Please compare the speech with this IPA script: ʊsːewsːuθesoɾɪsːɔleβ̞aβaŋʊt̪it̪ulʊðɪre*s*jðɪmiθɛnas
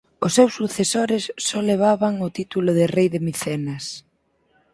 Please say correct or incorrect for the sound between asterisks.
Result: incorrect